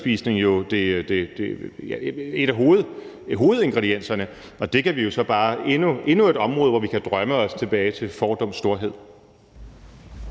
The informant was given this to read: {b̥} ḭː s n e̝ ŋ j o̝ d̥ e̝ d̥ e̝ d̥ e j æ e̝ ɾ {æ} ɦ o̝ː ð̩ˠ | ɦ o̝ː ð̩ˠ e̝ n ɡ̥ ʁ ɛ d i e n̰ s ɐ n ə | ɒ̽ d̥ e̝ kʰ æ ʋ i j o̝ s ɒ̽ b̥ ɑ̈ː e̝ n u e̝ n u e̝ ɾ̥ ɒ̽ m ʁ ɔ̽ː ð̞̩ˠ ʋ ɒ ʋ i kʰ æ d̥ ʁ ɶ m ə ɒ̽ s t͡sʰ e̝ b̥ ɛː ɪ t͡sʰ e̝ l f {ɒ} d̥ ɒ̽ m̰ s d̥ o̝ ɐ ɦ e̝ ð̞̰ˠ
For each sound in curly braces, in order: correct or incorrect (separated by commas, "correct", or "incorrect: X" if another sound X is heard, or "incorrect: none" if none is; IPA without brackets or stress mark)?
correct, correct, incorrect: ɒː